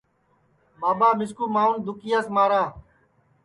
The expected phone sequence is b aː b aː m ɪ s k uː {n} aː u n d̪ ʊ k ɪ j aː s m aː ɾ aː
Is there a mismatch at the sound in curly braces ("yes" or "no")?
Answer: yes